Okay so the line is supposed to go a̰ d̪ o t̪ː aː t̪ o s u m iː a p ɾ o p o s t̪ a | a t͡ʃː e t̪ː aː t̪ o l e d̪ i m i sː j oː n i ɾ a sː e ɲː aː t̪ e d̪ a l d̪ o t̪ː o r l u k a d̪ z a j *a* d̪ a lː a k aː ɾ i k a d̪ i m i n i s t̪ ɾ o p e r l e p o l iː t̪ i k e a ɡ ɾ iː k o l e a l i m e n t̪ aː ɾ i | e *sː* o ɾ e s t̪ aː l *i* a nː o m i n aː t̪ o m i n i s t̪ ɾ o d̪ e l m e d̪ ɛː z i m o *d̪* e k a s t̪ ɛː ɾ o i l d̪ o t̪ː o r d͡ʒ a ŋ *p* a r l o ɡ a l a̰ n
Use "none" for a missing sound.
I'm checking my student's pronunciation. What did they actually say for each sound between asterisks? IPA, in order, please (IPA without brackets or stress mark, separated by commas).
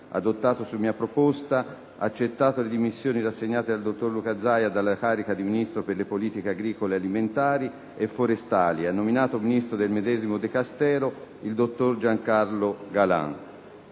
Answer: a, fː, i, d̪, k